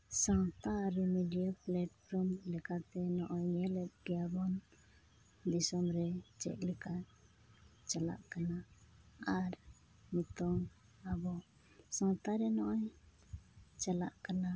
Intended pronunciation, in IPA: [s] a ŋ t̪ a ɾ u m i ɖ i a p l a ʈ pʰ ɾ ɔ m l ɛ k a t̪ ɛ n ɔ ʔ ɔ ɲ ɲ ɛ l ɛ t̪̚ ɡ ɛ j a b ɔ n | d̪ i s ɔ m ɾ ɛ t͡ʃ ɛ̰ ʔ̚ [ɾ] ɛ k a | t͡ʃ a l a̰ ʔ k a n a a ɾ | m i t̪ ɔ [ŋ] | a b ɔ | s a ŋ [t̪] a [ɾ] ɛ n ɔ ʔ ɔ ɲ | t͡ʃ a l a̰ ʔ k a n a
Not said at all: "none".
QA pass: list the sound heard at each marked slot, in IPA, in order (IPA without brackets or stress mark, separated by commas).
s, l, ŋ, t̪, ɾ